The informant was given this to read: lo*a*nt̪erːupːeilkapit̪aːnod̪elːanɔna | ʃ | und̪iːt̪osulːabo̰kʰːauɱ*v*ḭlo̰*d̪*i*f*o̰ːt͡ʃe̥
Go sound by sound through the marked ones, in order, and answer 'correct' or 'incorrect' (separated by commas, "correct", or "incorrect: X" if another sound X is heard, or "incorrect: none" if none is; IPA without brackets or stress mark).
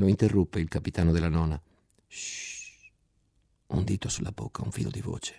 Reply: incorrect: i, incorrect: f, correct, incorrect: v